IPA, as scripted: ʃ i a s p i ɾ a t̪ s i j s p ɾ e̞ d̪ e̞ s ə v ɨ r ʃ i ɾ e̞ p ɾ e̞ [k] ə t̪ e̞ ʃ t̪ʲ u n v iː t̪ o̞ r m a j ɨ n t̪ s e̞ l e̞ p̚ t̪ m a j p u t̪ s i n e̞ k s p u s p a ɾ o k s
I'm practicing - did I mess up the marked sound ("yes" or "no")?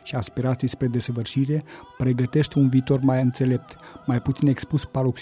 yes